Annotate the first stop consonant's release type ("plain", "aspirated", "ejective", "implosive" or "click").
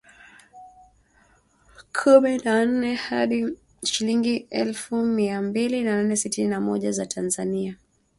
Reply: aspirated